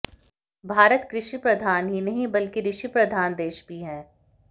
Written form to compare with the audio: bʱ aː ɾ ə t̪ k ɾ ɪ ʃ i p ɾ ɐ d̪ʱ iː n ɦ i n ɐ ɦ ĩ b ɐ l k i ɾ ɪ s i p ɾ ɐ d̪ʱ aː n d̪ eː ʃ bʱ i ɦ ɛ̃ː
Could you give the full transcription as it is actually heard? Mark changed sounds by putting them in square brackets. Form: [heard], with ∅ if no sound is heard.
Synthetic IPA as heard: bʱ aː ɾ ə t̪ k ɾ ɪ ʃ i p ɾ ɐ d̪ʱ [aː] n ɦ i n ɐ ɦ ĩ b ɐ l k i ɾ ɪ [ʃ] i p ɾ ɐ d̪ʱ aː n d̪ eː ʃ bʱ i ɦ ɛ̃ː